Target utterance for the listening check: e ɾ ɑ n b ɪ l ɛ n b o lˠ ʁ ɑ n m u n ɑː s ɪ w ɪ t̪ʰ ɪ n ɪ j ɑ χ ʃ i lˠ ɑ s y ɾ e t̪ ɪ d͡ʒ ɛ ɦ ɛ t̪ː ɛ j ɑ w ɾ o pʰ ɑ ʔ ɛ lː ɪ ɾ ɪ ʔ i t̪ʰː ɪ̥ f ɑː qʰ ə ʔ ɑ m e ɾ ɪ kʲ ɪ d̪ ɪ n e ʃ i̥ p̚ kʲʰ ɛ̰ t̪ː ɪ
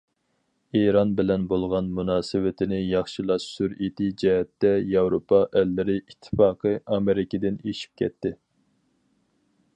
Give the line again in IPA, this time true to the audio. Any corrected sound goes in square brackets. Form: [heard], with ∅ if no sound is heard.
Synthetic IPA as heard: e ɾ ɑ n b ɪ l ɛ n b o lˠ ʁ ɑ n m u n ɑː s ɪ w ɪ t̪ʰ ɪ n ɪ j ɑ χ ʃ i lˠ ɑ s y ɾ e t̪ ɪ d͡ʒ ɛ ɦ ɛ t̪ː ɛ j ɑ w ɾ o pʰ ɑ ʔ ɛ lː ɪ ɾ ɪ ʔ i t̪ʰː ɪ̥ f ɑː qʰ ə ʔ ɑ m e ɾ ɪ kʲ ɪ d̪ ɪ n e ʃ i̥ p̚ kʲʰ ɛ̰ t̪ː ɪ